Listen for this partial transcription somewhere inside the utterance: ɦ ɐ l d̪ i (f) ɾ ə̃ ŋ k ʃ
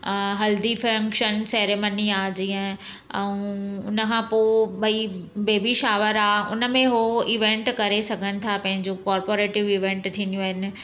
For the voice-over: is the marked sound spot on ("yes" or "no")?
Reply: yes